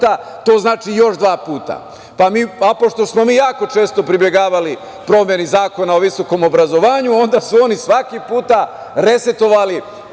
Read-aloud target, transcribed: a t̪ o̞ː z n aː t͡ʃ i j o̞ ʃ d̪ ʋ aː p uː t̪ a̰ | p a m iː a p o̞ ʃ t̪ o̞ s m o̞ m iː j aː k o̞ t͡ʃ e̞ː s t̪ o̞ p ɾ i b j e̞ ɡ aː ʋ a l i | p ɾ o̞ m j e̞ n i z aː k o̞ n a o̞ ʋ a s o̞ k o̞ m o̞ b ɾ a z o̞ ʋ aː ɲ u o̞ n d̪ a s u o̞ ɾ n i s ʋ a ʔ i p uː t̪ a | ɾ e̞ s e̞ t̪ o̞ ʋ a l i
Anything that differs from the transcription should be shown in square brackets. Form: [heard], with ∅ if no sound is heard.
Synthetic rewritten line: a t̪ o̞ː z n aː t͡ʃ i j o̞ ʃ d̪ ʋ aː p uː t̪ a̰ | p a m iː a p o̞ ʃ t̪ o̞ s m o̞ m iː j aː k o̞ t͡ʃ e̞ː s t̪ o̞ p ɾ i b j e̞ ɡ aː ʋ a l i | p ɾ o̞ m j e̞ n i z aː k o̞ n a o̞ ʋ [i] s o̞ k o̞ m o̞ b ɾ a z o̞ ʋ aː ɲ u o̞ n d̪ a s u o̞ [∅] n i s ʋ a [k] i p uː t̪ a | ɾ e̞ s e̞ t̪ o̞ ʋ a l i